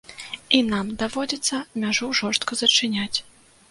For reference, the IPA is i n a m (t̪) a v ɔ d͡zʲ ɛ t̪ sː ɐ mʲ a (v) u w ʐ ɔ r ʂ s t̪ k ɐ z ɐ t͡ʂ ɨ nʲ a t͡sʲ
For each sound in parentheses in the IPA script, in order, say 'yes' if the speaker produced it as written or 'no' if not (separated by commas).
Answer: no, no